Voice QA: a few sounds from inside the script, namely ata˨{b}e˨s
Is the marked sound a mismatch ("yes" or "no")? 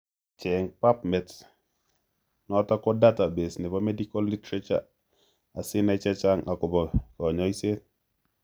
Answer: no